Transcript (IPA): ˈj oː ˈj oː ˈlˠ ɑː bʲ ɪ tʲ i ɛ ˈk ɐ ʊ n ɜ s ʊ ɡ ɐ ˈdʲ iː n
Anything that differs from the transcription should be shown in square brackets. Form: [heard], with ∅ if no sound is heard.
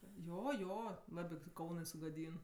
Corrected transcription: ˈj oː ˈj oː ˈlˠ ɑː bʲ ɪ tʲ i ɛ ˈk ɐ ʊ n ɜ s ʊ ɡ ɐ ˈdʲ iː n